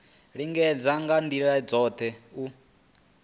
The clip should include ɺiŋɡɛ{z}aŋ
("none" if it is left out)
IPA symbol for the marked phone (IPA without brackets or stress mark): d͡z